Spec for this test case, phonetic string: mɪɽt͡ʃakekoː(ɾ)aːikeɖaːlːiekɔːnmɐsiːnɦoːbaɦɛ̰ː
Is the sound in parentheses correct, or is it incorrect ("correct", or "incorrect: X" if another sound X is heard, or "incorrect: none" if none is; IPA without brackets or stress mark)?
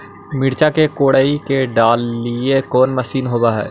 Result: incorrect: ɽ